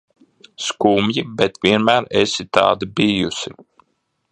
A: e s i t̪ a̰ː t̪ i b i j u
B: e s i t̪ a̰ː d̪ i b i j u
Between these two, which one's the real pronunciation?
B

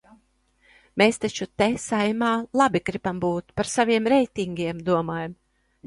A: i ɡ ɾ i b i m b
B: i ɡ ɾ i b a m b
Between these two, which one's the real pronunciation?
B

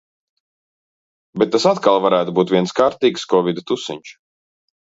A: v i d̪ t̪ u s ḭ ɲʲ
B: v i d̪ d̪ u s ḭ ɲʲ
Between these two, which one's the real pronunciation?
A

